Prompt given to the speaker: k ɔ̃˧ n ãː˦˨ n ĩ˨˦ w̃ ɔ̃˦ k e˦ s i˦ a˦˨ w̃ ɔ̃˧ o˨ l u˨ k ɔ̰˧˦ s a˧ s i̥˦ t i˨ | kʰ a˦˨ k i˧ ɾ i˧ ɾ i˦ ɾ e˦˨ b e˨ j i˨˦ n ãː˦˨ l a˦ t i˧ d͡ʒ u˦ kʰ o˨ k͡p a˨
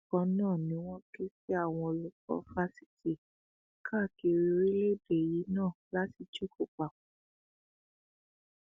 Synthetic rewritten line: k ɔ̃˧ n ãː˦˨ n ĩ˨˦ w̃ ɔ̃˦ k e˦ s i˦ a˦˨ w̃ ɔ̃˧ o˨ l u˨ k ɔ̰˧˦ f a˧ s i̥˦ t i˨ | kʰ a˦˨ k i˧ ɾ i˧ ɾ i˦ l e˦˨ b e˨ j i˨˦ n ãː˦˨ l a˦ t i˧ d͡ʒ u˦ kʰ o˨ k͡p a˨